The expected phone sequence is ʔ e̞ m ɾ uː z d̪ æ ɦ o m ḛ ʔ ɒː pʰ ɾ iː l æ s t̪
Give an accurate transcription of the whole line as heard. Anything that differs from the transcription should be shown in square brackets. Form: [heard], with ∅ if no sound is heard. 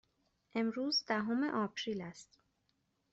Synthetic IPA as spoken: ʔ e̞ m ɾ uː z d̪ æ ɦ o m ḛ ʔ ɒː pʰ ɾ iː l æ s t̪